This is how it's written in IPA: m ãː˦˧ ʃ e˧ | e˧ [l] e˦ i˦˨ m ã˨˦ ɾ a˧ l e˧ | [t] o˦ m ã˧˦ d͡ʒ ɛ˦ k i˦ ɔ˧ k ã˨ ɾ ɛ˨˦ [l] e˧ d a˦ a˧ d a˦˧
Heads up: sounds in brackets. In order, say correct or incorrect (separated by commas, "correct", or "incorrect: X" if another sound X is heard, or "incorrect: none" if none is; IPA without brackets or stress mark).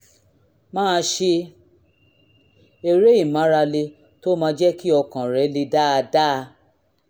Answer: incorrect: ɾ, correct, correct